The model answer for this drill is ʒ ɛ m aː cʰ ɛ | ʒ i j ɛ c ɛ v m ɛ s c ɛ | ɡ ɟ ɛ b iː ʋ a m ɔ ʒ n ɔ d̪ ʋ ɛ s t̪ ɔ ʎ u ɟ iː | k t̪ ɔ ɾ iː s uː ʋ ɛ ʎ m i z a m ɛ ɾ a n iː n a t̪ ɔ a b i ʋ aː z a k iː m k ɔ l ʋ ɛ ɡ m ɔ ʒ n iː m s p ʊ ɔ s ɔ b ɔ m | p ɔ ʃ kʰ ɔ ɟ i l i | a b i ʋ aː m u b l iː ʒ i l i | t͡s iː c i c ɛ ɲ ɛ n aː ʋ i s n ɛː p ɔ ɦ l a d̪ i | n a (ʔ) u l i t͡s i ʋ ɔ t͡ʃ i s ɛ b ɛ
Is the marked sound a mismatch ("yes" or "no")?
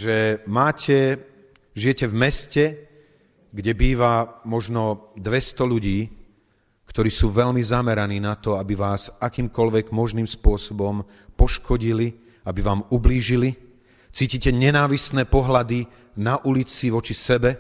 no